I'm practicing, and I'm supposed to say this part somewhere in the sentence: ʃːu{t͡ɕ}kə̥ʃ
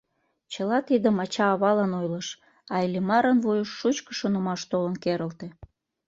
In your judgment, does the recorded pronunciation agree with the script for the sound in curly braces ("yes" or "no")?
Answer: yes